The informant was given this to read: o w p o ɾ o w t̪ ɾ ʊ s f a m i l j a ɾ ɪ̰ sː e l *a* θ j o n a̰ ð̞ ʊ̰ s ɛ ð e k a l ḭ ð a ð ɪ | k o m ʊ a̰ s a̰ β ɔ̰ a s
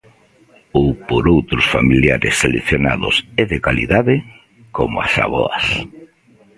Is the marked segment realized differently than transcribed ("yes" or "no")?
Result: yes